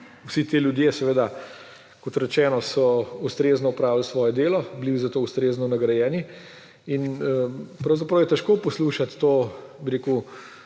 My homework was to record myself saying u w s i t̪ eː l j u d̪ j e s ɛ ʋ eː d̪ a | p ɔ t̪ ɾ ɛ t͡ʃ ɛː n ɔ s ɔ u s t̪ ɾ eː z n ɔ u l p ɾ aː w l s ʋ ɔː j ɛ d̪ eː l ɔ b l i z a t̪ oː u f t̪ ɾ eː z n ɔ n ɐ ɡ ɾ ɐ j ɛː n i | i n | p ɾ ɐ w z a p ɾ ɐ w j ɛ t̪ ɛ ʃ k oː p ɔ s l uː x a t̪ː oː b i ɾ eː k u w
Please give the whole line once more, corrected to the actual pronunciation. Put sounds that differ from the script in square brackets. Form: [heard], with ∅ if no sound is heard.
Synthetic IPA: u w s i t̪ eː l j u d̪ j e s ɛ ʋ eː d̪ a | [k] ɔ t̪ ɾ ɛ t͡ʃ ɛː n ɔ s ɔ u s t̪ ɾ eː z n ɔ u [∅] p ɾ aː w l s ʋ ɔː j ɛ d̪ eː l ɔ b l i z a t̪ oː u [s] t̪ ɾ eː z n ɔ n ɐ ɡ ɾ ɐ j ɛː n i | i n | p ɾ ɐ w z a p ɾ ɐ w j ɛ t̪ ɛ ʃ k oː p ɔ s l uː [ʃ] a t̪ː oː b i ɾ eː k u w

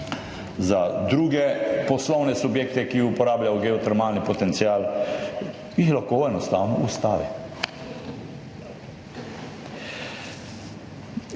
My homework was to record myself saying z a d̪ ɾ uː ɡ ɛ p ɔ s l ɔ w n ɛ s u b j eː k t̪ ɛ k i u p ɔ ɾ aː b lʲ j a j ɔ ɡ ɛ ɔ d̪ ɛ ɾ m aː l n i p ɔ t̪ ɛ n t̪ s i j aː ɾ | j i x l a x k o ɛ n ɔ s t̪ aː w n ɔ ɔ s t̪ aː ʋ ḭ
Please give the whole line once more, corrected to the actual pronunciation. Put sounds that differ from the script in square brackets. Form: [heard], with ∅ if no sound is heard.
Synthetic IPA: z a d̪ ɾ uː ɡ ɛ p ɔ s l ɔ w n ɛ s u b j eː k t̪ ɛ k i u p ɔ ɾ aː b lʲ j a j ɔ ɡ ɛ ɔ [t̪] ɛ ɾ m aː l n i p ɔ t̪ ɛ n t̪ s i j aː [l] | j i x l a x k o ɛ n ɔ s t̪ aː w n ɔ [u] s t̪ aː ʋ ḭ

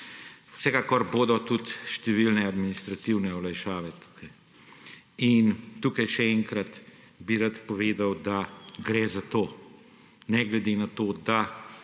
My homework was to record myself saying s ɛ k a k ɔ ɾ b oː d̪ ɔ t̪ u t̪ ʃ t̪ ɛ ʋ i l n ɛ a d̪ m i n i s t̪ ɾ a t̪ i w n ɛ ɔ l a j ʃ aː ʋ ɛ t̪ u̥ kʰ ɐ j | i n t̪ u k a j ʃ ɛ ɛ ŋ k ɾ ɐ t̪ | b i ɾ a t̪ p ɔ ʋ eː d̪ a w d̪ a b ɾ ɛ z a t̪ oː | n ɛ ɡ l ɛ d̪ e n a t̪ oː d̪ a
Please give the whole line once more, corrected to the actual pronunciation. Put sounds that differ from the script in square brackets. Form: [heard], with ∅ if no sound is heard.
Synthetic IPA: s ɛ k a k ɔ ɾ b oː d̪ ɔ t̪ u t̪ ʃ t̪ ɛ ʋ i l n ɛ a d̪ m i n i s t̪ ɾ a t̪ i w n ɛ ɔ l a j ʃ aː ʋ ɛ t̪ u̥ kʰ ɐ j | i n t̪ u k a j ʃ ɛ ɛ ŋ k ɾ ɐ t̪ | b i ɾ a t̪ p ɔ ʋ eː d̪ a w d̪ a [ɡ] ɾ ɛ z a t̪ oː | n ɛ ɡ l ɛ d̪ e n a t̪ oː d̪ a

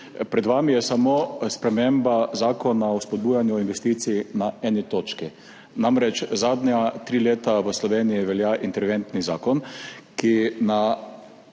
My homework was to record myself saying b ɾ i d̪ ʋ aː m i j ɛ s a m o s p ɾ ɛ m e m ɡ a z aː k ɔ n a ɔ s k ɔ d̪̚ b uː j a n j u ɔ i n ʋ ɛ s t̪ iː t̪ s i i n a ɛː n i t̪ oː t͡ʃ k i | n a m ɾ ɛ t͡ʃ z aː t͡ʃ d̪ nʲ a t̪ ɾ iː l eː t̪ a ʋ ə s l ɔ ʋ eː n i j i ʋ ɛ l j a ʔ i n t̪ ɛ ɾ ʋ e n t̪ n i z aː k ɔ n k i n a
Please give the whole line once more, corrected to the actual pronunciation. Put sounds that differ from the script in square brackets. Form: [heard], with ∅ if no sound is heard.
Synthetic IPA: [p] ɾ [ɛ] d̪ ʋ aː m i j ɛ s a m o s p ɾ ɛ m e m [b] a z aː k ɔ n a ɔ s [p] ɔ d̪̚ b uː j a n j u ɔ i n ʋ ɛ s t̪ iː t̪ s i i n a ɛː n i t̪ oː t͡ʃ k i | n a m ɾ ɛ t͡ʃ z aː [∅] d̪ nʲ a t̪ ɾ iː l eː t̪ a ʋ ə s l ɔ ʋ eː n i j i ʋ ɛ l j a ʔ i n t̪ ɛ ɾ ʋ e n t̪ n i z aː k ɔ n k i n a

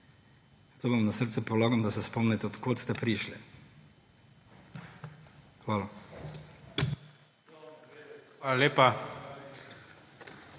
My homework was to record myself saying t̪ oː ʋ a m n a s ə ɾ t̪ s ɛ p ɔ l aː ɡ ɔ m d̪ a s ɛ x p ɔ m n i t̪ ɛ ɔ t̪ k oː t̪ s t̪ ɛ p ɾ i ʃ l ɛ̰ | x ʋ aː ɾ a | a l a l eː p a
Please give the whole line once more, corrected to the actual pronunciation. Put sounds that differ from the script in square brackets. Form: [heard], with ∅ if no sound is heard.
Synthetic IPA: t̪ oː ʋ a m n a s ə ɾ t̪ s ɛ p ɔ l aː ɡ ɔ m d̪ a s ɛ [s] p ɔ m n [ɛ] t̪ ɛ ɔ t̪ k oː t̪ s t̪ ɛ p ɾ i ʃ l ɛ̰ | x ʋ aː [l] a | a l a l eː p a

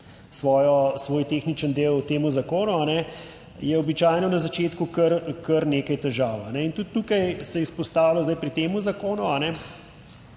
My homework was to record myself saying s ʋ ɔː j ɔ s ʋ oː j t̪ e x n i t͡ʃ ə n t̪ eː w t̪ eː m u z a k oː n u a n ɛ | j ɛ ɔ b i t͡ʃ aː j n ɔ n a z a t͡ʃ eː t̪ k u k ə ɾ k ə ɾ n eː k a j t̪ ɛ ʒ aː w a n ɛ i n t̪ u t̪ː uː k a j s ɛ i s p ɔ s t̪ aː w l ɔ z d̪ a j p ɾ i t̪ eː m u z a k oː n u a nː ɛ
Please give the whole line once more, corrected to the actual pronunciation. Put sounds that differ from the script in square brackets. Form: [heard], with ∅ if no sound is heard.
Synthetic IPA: s ʋ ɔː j ɔ s ʋ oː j t̪ e x n i t͡ʃ ə n [d̪] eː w t̪ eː m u z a k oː n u a n ɛ | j ɛ ɔ b i t͡ʃ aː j n ɔ n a z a t͡ʃ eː t̪ k u k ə ɾ k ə ɾ n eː k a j t̪ ɛ ʒ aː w a n ɛ i n t̪ u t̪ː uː k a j s ɛ i s p ɔ s t̪ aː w l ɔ z d̪ a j p ɾ i t̪ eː m u z a k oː n u a [n] ɛ

